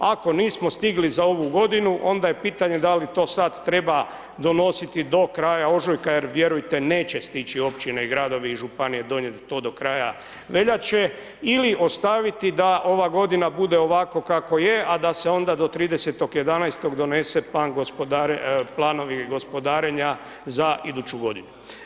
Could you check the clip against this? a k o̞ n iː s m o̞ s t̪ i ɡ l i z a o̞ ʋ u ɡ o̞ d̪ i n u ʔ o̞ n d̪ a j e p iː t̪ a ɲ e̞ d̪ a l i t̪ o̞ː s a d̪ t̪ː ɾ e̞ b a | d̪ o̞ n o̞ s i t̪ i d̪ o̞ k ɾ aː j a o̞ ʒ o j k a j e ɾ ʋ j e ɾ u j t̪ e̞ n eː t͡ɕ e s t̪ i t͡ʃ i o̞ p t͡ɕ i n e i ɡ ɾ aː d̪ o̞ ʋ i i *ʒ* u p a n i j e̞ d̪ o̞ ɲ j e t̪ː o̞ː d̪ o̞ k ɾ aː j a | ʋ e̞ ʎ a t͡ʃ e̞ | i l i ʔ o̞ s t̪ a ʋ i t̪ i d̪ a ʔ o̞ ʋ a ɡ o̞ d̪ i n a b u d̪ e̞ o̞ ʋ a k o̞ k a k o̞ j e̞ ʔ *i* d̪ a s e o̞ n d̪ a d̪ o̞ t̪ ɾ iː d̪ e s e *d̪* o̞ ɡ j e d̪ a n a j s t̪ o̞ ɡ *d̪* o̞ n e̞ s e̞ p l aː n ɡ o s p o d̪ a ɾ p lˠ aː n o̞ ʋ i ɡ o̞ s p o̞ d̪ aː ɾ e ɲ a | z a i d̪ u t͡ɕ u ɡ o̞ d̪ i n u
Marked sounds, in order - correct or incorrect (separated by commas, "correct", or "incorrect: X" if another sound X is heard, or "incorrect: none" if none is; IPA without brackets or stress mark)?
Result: correct, incorrect: a, incorrect: t̪, correct